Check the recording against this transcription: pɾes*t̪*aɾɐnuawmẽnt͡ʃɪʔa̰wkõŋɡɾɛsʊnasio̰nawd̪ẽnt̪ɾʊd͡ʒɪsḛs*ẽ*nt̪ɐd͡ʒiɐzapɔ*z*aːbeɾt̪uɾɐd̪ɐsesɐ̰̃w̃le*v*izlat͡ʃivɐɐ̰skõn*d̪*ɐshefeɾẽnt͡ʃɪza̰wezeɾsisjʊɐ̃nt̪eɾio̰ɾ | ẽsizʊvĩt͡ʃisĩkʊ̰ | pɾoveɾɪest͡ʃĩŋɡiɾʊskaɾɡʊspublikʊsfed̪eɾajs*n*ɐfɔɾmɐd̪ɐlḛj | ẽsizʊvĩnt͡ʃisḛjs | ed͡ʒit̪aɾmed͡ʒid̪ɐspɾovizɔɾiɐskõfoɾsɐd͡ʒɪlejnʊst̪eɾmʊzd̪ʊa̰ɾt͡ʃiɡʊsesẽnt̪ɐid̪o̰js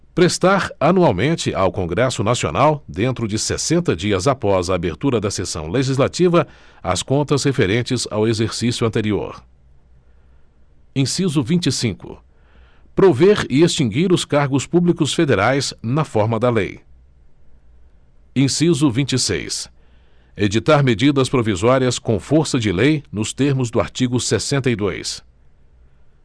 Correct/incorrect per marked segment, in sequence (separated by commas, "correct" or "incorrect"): correct, correct, correct, incorrect, incorrect, correct